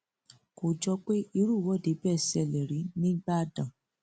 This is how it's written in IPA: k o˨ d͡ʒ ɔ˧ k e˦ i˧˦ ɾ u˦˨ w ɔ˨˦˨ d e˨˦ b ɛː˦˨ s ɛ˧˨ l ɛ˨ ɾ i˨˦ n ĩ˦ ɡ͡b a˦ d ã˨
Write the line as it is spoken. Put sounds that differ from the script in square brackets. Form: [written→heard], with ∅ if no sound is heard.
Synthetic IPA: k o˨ d͡ʒ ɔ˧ [k→k͡p] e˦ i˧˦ ɾ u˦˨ w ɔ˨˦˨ d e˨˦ b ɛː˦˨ s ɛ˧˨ l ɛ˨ ɾ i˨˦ n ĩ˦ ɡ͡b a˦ d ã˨